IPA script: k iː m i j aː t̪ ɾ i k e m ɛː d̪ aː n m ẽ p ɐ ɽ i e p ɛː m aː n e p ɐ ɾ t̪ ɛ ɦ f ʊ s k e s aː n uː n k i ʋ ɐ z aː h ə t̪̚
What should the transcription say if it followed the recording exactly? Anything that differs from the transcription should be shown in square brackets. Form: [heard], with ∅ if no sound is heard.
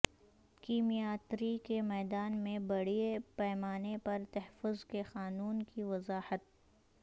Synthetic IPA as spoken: k iː m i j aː t̪ ɾ i k e m ɛː d̪ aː n m ẽ [b] ɐ ɽ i e p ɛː m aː n e p ɐ ɾ t̪ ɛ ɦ f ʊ [z] k e [x] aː n uː n k i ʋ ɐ z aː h ə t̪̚

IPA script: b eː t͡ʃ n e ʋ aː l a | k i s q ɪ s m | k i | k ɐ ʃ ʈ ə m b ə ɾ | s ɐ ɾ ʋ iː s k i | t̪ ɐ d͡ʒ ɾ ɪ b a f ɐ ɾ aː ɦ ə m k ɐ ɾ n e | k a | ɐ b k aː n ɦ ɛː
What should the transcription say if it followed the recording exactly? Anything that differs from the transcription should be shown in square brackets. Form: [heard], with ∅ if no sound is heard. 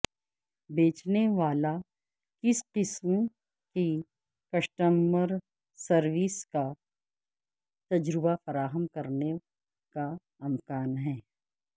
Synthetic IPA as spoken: b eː t͡ʃ n e ʋ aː l a | k [ɪ] s q ɪ s m | k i | k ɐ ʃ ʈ ə m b ə ɾ | s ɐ ɾ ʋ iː s k [a] | t̪ ɐ d͡ʒ ɾ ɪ b a f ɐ ɾ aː ɦ ə m k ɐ ɾ n e | k a | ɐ [m] k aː n ɦ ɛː

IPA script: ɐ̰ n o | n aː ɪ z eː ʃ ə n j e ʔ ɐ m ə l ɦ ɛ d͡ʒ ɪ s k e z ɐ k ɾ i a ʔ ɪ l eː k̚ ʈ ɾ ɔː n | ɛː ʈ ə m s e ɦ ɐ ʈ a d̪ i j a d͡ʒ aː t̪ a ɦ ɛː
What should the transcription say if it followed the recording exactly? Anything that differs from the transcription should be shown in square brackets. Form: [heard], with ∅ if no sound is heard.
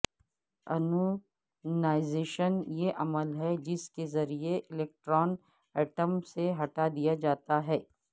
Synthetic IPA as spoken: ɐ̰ n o | n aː ɪ z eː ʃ ə n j e ʔ ɐ m ə l ɦ ɛ d͡ʒ ɪ s k e z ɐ [∅] ɾ i [e] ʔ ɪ l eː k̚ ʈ ɾ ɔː n | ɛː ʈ ə m s e ɦ ɐ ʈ a d̪ i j a d͡ʒ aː t̪ a ɦ ɛː

